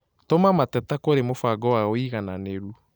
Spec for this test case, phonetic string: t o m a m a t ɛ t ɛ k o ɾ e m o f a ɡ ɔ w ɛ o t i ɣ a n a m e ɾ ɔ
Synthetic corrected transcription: t o m a m a t ɛ t a k o ɾ e m o f a ɡ ɔ w a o i ɣ a n a n e ɾ u